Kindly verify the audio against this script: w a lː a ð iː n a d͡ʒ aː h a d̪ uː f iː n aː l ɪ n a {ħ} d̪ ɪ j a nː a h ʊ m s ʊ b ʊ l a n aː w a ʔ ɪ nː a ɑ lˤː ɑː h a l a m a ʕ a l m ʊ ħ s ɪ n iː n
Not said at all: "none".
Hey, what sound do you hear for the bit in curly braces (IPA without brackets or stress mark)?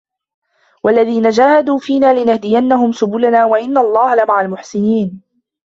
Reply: h